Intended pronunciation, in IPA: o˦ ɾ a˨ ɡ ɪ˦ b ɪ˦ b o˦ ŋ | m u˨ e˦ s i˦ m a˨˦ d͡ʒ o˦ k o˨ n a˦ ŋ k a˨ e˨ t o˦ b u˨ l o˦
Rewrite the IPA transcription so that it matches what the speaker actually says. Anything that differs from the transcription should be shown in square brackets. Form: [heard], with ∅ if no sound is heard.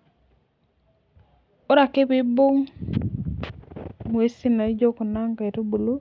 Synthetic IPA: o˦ ɾ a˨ [k] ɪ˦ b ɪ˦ b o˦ ŋ | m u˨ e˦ s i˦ [n] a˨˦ d͡ʒ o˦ k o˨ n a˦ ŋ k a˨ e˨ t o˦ b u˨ l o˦